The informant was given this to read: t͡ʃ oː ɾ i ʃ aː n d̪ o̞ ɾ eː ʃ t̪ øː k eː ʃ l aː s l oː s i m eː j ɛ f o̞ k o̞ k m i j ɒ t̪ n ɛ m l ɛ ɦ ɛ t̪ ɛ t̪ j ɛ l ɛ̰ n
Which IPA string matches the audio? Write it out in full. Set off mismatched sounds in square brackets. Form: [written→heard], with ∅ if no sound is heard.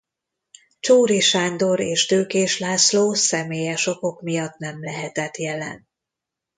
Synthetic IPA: t͡ʃ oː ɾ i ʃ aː n d̪ o̞ ɾ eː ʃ t̪ øː k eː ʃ l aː s l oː s [i→ɛ] m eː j ɛ [f→ʃ] o̞ k o̞ k m i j ɒ t̪ n ɛ m l ɛ ɦ ɛ t̪ ɛ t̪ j ɛ l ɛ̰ n